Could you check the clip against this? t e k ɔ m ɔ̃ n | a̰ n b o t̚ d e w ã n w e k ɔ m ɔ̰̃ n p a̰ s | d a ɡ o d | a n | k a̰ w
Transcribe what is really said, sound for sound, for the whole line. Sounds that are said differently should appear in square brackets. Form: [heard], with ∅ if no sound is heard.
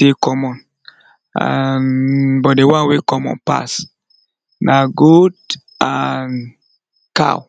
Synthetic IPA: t e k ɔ m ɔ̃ n | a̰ n b [ɔ] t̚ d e w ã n w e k ɔ m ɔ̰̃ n p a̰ s | [n] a ɡ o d | a n | k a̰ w